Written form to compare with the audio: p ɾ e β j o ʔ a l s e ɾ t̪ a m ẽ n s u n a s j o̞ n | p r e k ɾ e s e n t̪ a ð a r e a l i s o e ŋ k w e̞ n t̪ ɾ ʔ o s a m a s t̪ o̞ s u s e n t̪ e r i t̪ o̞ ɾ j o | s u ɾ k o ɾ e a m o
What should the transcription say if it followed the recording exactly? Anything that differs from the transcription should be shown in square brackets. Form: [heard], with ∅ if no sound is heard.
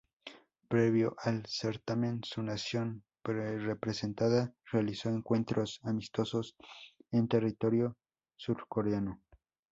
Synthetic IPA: p ɾ e β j o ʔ a l s e ɾ t̪ a m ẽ n s u n a s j o̞ n | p r e [p] ɾ e s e n t̪ a ð a r e a l i s o e ŋ k w e̞ n t̪ ɾ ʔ o s a m [i] s t̪ o̞ s [o] s e n t̪ e r i t̪ o̞ ɾ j o | s u ɾ k o ɾ e a [n] o